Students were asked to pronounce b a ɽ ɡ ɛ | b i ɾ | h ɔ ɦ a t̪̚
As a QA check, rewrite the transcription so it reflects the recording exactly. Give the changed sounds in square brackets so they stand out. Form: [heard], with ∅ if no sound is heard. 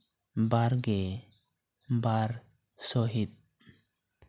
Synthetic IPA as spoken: b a [ɾ] ɡ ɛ | b [a] ɾ | [s] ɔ ɦ [i] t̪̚